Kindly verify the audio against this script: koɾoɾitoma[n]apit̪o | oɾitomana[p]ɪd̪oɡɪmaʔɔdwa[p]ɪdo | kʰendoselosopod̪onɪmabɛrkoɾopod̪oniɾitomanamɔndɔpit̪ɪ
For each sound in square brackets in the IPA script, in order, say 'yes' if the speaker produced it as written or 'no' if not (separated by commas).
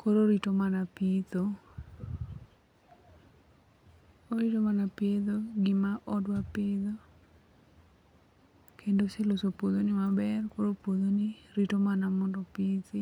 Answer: yes, yes, yes